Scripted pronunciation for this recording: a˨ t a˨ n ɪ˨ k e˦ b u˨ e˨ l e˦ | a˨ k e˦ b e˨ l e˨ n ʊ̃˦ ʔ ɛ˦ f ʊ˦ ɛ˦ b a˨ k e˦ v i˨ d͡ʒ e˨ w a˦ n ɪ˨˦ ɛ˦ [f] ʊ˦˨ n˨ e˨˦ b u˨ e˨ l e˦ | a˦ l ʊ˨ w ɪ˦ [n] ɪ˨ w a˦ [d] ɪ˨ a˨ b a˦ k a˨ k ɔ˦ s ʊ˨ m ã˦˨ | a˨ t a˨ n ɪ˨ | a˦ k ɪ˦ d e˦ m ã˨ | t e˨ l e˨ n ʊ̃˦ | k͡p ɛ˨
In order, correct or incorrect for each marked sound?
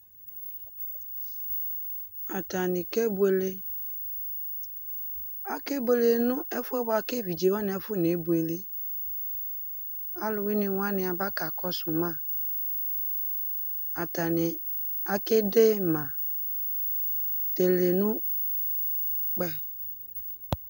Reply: correct, correct, incorrect: n

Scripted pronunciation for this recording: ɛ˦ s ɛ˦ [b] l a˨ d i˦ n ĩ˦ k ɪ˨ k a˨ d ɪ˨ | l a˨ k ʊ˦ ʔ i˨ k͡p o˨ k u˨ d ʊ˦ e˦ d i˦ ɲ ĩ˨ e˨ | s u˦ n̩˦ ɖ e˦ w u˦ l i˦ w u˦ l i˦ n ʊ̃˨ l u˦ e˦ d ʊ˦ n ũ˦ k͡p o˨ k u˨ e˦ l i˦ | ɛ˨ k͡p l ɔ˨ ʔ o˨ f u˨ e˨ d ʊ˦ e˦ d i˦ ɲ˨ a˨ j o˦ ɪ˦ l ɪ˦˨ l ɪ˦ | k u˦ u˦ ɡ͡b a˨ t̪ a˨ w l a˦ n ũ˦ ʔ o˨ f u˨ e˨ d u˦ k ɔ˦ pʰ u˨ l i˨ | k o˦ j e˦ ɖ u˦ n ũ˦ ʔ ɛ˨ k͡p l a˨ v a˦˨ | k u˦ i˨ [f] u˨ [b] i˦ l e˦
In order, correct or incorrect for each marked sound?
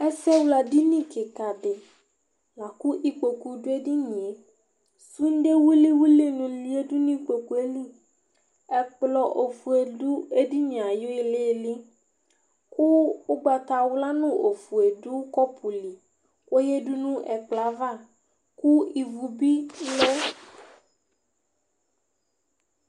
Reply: incorrect: w, incorrect: v, correct

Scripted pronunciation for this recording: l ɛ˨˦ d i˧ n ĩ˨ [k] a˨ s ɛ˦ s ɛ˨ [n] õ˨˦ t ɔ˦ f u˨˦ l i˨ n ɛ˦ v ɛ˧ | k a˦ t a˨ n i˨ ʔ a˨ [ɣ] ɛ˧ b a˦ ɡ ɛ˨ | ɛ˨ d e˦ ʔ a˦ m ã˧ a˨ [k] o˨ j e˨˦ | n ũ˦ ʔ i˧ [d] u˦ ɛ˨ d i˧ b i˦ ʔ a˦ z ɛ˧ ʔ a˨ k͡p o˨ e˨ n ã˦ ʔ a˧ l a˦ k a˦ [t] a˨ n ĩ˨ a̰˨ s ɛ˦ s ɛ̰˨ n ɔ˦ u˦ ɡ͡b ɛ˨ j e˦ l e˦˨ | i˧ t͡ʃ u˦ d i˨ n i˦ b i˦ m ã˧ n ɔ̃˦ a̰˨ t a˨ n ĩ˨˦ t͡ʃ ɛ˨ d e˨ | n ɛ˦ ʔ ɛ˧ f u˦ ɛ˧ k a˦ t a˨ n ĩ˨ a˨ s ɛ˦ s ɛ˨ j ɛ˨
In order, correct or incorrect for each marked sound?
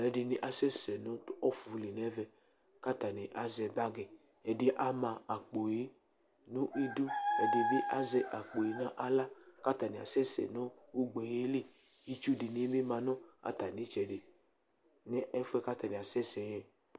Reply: incorrect: ʔ, correct, incorrect: z, incorrect: k͡p, correct, correct

